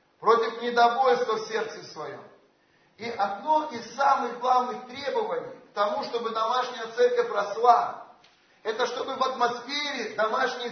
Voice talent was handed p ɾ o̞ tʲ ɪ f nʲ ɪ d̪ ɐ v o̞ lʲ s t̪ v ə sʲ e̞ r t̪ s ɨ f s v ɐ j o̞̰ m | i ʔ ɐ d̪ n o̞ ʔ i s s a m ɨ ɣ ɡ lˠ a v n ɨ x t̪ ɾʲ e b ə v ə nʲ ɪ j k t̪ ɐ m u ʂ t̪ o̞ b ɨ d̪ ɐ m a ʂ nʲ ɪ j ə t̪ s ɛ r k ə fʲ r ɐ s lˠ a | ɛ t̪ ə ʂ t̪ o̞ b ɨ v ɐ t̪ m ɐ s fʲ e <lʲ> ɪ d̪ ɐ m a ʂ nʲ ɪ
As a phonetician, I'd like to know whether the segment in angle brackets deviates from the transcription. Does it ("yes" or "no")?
yes